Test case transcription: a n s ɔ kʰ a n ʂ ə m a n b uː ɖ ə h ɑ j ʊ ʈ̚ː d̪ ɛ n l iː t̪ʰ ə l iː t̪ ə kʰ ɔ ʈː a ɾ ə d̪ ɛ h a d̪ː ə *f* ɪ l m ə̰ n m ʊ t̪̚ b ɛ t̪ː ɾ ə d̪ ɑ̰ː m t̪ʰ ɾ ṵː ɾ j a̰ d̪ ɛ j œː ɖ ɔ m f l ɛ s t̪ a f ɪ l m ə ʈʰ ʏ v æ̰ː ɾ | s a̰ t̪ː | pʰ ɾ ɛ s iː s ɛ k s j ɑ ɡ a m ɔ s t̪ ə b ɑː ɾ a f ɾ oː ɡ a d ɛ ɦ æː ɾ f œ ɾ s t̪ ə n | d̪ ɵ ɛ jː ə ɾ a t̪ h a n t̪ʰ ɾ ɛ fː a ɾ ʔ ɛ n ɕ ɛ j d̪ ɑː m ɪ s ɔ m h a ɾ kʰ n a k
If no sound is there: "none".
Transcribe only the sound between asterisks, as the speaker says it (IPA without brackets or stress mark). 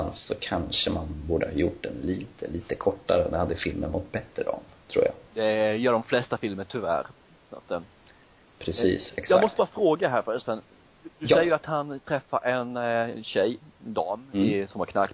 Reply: f